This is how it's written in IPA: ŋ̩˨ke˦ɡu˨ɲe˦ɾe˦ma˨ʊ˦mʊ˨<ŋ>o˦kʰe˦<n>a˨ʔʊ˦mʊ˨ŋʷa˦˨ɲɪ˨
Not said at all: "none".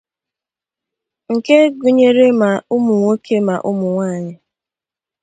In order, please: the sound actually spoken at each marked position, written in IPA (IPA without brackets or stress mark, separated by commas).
ŋ, m